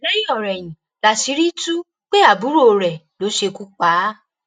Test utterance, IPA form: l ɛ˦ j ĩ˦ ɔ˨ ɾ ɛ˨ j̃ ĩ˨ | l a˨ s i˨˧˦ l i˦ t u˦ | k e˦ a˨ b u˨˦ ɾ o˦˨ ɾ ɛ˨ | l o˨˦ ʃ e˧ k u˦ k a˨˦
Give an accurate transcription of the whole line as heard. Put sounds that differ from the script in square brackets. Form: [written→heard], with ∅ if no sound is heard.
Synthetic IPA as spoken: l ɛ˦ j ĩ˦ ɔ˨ ɾ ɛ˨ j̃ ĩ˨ | l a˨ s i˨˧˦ [l→ɾ] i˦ t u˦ | [k→k͡p] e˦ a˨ b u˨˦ ɾ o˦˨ ɾ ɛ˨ | l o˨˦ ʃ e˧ k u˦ [k→k͡p] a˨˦

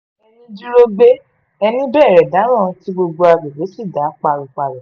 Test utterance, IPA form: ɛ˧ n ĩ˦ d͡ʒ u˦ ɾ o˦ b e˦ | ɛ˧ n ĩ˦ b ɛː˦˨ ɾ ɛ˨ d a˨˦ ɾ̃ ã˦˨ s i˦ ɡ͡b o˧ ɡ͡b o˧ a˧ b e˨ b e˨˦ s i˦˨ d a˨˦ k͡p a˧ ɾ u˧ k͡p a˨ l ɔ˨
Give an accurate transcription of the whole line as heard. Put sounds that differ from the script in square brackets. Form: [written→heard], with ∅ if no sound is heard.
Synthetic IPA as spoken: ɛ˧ n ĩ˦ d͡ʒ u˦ ɾ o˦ b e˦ | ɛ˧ n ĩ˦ b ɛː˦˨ ɾ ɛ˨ d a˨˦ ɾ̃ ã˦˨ [s→t] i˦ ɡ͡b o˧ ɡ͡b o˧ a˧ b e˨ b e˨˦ s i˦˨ d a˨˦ k͡p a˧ ɾ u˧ k͡p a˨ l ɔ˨

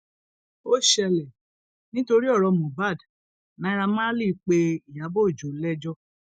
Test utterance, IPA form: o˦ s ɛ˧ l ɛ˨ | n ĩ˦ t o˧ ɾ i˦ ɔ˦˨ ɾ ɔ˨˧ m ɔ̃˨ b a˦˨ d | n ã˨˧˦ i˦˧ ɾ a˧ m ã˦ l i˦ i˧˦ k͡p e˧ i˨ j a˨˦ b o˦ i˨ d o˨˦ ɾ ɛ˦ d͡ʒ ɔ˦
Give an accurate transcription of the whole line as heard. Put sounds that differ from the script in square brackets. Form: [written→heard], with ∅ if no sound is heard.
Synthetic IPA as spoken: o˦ [s→ʃ] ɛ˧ l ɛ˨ | n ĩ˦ t o˧ ɾ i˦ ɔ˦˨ ɾ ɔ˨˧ m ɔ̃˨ b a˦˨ d | n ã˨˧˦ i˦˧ ɾ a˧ m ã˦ l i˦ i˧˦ k͡p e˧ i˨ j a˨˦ b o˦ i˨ [d→d͡ʒ] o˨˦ [ɾ→l] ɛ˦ d͡ʒ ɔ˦

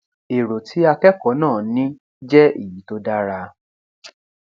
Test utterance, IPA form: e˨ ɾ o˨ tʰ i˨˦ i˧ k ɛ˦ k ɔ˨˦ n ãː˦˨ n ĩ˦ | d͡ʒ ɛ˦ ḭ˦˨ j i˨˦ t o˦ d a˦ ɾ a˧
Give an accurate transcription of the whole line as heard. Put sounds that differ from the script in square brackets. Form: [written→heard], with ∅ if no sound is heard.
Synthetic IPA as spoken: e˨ ɾ o˨ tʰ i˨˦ [i˧→a˧] k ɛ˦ k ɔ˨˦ n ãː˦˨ n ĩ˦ | d͡ʒ ɛ˦ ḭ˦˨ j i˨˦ t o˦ d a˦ ɾ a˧

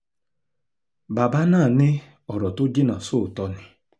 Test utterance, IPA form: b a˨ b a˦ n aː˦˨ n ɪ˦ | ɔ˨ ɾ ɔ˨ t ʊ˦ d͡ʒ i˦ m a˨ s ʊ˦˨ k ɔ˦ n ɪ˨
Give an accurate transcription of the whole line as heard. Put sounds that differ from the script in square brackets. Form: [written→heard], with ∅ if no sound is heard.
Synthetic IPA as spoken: b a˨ b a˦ n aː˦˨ n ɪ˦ | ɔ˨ ɾ ɔ˨ t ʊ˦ d͡ʒ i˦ [m→n] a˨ s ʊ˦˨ [k→t] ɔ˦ n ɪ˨

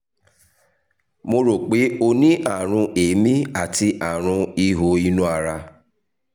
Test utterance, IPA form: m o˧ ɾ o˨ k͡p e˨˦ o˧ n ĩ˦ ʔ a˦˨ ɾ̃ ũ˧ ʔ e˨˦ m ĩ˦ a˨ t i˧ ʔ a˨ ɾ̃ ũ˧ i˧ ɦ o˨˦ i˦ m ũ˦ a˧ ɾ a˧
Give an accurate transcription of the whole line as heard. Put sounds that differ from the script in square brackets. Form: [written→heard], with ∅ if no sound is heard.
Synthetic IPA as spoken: m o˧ ɾ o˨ k͡p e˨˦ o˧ n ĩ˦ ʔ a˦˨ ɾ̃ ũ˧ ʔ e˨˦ m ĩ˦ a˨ t i˧ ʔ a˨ ɾ̃ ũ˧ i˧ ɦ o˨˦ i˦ [m→n] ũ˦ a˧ ɾ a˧

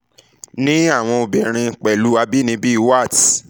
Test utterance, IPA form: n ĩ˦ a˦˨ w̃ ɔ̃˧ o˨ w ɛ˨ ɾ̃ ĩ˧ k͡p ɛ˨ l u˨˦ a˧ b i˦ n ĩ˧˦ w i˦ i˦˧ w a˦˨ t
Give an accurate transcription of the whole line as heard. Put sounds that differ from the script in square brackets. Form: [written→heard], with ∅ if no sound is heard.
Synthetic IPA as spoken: n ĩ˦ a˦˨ w̃ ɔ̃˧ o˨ [w→b] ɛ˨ ɾ̃ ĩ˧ k͡p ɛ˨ l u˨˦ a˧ b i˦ n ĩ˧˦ [w→b] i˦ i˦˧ w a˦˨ t

